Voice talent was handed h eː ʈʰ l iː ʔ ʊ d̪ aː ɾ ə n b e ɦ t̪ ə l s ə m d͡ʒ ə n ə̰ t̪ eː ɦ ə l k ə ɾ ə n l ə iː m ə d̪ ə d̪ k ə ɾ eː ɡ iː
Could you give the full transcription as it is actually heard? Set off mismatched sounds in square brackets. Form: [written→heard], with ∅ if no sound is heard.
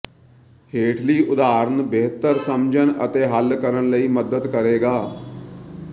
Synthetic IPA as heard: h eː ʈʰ l iː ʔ ʊ d̪ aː ɾ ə n b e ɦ t̪ ə [l→ɾ] s ə m d͡ʒ ə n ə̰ t̪ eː ɦ ə l k ə ɾ ə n l ə iː m ə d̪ ə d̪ k ə ɾ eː ɡ [iː→aː]